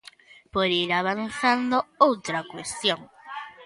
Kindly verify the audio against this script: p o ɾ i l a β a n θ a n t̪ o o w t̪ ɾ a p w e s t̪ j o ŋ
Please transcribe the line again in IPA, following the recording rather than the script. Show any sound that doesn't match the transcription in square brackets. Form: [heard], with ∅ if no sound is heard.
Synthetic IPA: p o ɾ i [ɾ] a β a n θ a n [d̪] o o w t̪ ɾ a [k] w e s t̪ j o ŋ